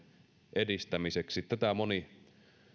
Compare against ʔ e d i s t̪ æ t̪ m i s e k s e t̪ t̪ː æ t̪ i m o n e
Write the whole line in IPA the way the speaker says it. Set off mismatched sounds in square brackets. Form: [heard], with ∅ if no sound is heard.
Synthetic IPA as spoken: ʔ e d i s t̪ æ [∅] m i s e k s [i] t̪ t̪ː æ t̪ [æ] m o n [i]